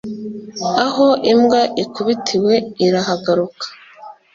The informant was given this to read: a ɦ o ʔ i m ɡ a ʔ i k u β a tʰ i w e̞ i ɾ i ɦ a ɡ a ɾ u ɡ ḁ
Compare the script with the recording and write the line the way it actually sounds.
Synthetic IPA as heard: a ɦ o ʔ i m ɡ a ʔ i k u β i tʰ i w e̞ i ɾ a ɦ a ɡ a ɾ u k ḁ